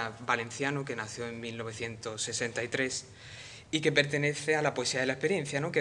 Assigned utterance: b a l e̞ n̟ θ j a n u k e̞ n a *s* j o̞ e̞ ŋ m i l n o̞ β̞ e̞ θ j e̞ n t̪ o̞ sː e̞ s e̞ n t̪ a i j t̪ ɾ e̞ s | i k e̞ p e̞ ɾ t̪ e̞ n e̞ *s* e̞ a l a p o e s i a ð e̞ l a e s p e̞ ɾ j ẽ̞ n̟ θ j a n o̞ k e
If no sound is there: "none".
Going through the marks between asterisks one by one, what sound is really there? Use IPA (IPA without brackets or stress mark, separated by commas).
θ, θ